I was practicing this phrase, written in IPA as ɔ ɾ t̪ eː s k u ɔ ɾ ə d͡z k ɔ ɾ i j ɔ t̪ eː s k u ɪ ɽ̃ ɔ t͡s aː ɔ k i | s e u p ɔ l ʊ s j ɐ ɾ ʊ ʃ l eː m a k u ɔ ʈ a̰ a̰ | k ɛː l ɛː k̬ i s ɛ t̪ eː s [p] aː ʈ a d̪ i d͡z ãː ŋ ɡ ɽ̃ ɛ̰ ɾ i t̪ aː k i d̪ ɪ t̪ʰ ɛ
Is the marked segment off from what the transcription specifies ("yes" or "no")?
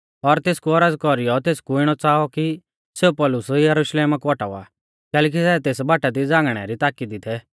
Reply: yes